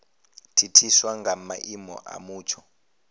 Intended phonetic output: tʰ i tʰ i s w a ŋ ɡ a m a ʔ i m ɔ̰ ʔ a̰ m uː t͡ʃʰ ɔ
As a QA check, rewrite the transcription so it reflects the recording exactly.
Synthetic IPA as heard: tʰ i tʰ i s w a ŋ ɡ a m a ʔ i m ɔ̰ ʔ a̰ m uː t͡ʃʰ ɔ